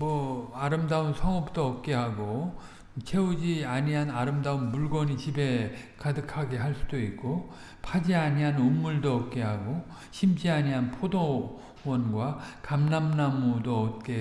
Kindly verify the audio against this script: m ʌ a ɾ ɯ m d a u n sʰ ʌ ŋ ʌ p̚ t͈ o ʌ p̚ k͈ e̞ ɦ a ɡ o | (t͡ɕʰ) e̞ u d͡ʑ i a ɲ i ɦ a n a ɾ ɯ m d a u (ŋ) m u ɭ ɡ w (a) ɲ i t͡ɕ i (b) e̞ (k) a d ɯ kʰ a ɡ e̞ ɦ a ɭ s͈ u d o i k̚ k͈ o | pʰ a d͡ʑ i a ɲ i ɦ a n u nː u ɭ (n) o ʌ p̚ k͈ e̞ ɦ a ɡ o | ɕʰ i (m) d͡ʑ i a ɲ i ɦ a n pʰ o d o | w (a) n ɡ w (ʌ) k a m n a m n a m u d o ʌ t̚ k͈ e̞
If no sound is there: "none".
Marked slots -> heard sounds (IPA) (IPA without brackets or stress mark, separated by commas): t͡ɕʰ, n, ʌ, b, k, d, m, ʌ, a